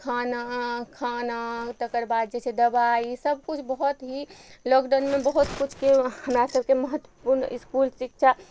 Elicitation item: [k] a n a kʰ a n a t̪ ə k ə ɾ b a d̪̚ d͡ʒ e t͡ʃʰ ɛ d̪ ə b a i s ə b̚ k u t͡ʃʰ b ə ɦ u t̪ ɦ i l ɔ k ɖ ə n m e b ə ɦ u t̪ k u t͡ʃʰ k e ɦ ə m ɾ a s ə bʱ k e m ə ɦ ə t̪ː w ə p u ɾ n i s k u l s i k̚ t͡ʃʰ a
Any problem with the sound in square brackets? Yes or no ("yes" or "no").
yes